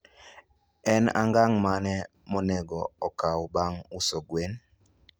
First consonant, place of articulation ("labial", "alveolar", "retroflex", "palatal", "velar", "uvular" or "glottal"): alveolar